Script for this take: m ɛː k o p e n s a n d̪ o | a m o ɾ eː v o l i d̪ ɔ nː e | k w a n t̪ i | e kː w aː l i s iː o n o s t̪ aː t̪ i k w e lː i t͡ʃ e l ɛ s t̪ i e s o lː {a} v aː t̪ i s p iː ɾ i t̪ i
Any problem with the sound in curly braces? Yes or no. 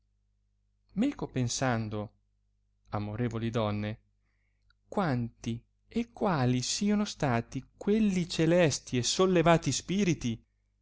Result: yes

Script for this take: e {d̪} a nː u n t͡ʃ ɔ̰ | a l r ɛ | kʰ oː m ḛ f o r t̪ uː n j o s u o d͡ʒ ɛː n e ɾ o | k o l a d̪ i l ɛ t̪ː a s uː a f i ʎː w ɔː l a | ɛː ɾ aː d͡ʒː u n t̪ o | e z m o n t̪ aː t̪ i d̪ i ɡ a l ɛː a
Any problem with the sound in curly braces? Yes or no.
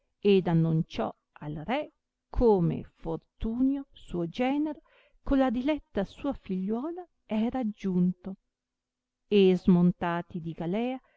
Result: no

